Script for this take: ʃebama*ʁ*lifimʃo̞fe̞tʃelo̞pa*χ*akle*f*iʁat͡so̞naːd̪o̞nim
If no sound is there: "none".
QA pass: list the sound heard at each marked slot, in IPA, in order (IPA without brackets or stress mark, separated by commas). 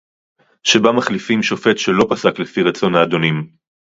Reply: χ, s, f